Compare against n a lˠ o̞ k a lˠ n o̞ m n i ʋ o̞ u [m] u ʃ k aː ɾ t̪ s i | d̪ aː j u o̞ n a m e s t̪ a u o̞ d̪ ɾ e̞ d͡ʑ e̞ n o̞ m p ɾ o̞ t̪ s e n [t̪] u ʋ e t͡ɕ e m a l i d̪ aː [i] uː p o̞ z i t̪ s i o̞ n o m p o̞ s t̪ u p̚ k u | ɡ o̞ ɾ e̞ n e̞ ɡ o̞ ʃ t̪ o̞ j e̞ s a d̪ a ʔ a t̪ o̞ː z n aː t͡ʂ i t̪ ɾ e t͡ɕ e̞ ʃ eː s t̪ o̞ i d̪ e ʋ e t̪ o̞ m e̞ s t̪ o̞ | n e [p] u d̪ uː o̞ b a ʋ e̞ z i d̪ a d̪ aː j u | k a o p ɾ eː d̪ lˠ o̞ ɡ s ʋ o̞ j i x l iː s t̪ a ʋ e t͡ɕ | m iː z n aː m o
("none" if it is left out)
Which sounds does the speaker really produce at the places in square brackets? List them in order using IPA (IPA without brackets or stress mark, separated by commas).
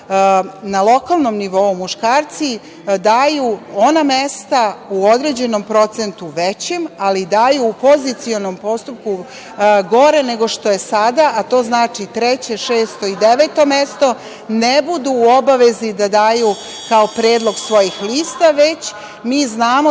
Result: m, t̪, j, b